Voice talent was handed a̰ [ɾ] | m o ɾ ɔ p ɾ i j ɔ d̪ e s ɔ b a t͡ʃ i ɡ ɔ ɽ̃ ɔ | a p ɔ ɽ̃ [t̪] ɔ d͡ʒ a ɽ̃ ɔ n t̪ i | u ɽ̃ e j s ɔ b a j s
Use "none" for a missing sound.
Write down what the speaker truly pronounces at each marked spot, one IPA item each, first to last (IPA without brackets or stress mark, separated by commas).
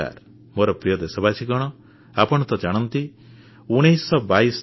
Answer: ɾ, t̪